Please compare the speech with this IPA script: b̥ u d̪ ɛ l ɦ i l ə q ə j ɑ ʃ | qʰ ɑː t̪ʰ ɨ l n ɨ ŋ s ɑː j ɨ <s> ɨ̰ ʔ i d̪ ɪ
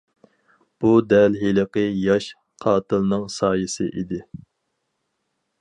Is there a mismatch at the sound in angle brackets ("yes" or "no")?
no